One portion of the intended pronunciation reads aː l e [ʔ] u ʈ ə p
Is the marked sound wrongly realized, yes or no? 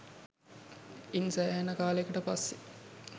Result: yes